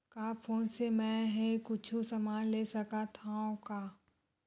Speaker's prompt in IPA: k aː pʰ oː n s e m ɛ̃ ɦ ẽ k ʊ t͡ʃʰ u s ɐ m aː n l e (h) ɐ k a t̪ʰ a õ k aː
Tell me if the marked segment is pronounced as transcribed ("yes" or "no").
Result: no